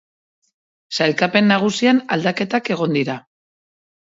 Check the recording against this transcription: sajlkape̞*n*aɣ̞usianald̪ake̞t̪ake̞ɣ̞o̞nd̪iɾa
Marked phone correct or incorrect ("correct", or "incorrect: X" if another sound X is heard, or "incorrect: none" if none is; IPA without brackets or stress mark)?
incorrect: nː